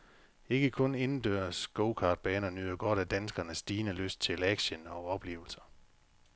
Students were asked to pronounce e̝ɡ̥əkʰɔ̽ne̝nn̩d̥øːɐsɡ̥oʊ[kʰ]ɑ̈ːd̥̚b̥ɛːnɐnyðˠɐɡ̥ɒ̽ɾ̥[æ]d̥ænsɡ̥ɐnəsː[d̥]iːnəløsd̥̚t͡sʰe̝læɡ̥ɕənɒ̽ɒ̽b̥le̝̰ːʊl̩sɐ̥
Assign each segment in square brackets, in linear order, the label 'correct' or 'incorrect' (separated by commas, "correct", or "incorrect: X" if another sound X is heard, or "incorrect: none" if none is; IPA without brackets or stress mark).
correct, correct, correct